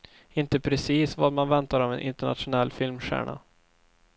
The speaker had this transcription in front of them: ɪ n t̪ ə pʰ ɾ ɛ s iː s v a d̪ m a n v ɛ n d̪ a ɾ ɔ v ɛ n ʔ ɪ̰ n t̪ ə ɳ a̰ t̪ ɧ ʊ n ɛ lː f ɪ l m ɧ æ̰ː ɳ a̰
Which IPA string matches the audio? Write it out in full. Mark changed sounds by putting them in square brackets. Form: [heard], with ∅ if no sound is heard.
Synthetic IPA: ɪ n t̪ ə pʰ ɾ ɛ s iː s v a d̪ m a n v ɛ n [t̪] a ɾ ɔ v ɛ n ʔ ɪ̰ n t̪ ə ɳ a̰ t̪ ɧ ʊ n ɛ lː f ɪ l m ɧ æ̰ː ɳ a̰